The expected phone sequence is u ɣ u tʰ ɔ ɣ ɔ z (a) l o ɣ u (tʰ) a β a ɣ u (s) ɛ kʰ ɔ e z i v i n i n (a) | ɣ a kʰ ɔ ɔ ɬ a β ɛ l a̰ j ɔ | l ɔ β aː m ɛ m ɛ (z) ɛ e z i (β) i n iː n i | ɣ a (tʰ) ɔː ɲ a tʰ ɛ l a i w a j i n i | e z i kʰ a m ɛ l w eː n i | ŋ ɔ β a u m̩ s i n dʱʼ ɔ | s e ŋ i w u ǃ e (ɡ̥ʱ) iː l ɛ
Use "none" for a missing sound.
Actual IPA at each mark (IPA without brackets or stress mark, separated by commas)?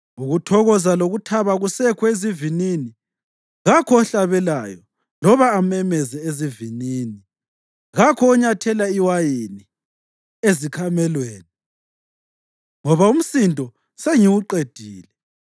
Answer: a, tʰ, s, i, z, v, kʰ, d̥ʱ